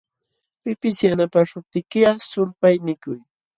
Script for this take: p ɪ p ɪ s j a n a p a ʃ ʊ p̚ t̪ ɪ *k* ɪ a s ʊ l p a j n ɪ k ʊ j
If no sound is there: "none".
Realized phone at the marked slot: k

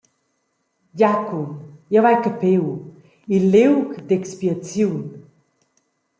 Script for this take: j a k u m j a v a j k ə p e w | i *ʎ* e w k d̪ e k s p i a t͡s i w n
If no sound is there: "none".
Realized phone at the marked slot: l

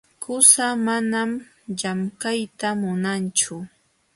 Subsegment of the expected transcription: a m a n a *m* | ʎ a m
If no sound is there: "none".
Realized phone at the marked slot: m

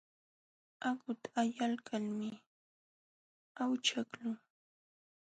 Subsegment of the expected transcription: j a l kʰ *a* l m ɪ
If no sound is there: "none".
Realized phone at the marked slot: a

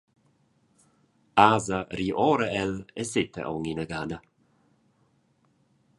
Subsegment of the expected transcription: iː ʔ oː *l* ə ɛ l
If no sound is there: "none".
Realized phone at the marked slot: ɾ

